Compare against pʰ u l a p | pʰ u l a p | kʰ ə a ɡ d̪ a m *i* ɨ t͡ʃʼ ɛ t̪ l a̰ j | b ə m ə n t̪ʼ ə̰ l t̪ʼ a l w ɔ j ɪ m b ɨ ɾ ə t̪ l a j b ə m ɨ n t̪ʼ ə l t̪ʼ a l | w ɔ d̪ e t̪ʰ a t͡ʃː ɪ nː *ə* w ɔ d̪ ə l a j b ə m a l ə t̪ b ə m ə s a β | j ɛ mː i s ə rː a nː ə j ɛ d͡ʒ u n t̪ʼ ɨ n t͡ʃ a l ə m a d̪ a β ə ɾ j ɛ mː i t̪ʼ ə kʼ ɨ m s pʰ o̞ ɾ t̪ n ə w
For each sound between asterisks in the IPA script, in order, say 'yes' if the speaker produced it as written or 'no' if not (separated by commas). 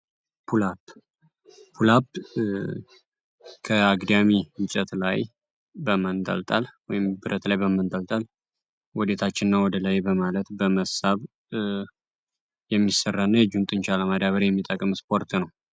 yes, no